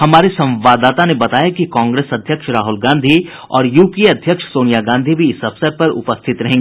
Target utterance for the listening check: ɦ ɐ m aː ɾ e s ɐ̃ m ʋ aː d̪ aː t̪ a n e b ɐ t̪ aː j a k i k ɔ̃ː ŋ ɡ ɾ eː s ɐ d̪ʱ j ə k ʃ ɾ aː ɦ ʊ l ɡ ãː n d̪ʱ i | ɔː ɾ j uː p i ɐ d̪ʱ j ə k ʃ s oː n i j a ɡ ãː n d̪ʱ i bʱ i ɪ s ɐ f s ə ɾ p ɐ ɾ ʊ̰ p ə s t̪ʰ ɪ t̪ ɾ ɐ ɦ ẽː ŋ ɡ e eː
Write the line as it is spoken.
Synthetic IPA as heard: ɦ ɐ m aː ɾ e s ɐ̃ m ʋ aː d̪ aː t̪ a n e b ɐ t̪ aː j a k i k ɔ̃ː ŋ ɡ ɾ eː s ɐ d̪ʱ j ə k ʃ ɾ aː ɦ ʊ l ɡ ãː n d̪ʱ i | ɔː ɾ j uː p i ɐ d̪ʱ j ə k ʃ s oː n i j a ɡ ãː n d̪ʱ i bʱ i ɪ s ɐ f s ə ɾ p ɐ ɾ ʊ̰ p ə s t̪ʰ ɪ t̪ ɾ ɐ ɦ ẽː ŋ ɡ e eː

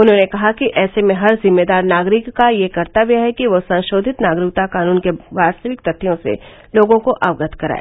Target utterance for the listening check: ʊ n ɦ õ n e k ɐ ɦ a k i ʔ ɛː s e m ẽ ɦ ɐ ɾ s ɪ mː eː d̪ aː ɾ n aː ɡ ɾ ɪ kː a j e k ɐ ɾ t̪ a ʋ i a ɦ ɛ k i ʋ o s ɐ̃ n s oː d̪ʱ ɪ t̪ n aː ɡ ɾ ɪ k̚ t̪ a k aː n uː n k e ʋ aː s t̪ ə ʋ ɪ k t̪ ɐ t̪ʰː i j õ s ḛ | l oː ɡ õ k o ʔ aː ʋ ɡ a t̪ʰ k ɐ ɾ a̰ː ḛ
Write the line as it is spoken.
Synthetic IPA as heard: ʊ n ɦ õ n e k ɐ ɦ a k i ʔ ɛː s e m ẽ ɦ ɐ ɾ z ɪ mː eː d̪ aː ɾ n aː ɡ ɾ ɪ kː a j e k ɐ ɾ t̪ a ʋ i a ɦ ɛ k i ʋ o s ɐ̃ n ʃ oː d̪ʱ ɪ t̪ n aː ɡ ɾ ɪ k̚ t̪ a k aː n uː n k e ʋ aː s t̪ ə ʋ ɪ k t̪ ɐ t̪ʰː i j õ s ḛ | l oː ɡ õ k o ʔ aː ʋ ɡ ə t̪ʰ k ɐ ɾ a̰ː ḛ

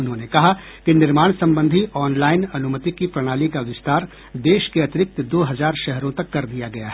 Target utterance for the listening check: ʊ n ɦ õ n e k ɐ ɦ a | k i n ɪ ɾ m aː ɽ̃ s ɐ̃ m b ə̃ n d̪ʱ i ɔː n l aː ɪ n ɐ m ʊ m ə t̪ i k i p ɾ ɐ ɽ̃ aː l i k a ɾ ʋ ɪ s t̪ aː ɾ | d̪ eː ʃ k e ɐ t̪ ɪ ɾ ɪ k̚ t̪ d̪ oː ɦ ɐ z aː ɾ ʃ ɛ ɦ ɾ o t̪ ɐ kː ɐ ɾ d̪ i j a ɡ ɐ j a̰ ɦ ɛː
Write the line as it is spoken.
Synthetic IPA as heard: ʊ n ɦ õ n e k ɐ ɦ a | k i n ɪ ɾ m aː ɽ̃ s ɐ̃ m b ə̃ n d̪ʱ i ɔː n l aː ɪ n ɐ n ʊ m ə t̪ i k i p ɾ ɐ ɽ̃ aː l i k a ʋ ɪ s t̪ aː ɾ | d̪ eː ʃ k e ɐ t̪ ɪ ɾ ɪ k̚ t̪ d̪ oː ɦ ɐ z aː ɾ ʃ ɛ ɦ ɾ õ t̪ ɐ kː ɐ ɾ d̪ i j a ɡ ɐ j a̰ ɦ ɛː

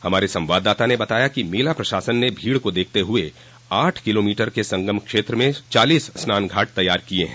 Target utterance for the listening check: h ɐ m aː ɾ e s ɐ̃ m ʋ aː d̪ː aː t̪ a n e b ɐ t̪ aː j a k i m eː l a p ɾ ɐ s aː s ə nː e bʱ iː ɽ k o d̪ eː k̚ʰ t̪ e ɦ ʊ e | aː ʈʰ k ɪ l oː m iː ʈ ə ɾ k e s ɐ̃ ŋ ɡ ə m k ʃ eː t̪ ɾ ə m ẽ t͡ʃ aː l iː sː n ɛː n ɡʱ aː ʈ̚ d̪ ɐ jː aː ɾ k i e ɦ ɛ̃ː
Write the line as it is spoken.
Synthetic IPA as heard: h ɐ m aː ɾ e s ɐ̃ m ʋ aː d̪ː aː t̪ a n e b ɐ t̪ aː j a k i m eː l a p ɾ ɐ ʃ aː s ə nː e bʱ iː ɽ k o d̪ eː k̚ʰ t̪ e ɦ ʊ e | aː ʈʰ k ɪ l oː m iː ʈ ə ɾ k e s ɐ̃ ŋ ɡ ə m k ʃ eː t̪ ɾ ə m ẽ t͡ʃ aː l iː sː n aː n ɡʱ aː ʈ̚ t̪ ɐ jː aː ɾ k i e ɦ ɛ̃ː

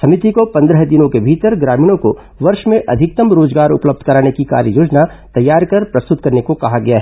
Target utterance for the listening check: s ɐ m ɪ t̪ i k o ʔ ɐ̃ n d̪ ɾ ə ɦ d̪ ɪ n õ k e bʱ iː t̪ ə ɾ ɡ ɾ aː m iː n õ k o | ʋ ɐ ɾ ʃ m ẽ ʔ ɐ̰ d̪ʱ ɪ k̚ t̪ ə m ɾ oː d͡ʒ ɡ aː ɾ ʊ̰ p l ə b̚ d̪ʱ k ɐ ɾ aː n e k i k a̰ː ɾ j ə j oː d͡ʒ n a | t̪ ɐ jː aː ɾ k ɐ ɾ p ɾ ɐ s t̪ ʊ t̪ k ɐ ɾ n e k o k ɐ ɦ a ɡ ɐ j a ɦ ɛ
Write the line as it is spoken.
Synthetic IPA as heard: s ɐ m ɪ t̪ i k o p ɐ̃ n d̪ ɾ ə ɦ d̪ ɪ n õ k e bʱ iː t̪ ə ɾ ɡ ɾ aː m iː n õ k o | ʋ ɐ ɾ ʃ m ẽ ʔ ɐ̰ d̪ʱ ɪ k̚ t̪ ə m ɾ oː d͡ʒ ɡ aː ɾ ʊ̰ p l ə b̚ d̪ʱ k ɐ ɾ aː n e k i k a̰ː ɾ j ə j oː d͡ʒ n a | t̪ ɐ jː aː ɾ k ɐ ɾ p ɾ ɐ s t̪ ʊ t̪ k ɐ ɾ n e k o k ɐ ɦ a ɡ ɐ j a ɦ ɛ

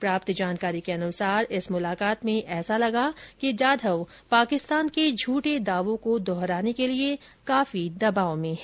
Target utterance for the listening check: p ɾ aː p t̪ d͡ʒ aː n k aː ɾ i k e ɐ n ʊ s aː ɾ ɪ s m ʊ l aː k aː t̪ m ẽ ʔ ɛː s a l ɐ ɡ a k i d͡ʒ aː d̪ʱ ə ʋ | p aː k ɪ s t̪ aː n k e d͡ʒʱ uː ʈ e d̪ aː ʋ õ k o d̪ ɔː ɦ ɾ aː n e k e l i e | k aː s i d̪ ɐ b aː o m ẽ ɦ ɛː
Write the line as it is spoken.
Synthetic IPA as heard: p ɾ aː p t̪ d͡ʒ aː n k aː ɾ i k e ɐ n ʊ s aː ɾ ɪ s m ʊ l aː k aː t̪ m ẽ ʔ ɛː s a l ɐ ɡ a k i d͡ʒ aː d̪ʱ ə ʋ | p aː k ɪ s t̪ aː n k e d͡ʒʱ uː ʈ e d̪ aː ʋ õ k o d̪ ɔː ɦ ɾ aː n e k e l i e | k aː f i d̪ ɐ b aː o m ẽ ɦ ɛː

